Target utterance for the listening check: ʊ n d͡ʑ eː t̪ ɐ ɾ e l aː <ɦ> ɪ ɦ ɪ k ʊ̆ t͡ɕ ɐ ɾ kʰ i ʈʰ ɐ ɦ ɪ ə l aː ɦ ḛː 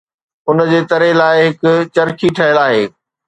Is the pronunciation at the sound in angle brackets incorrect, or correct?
incorrect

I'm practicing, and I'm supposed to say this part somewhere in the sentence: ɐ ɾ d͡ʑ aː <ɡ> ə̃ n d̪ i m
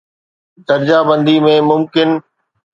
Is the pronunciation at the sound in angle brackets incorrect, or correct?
incorrect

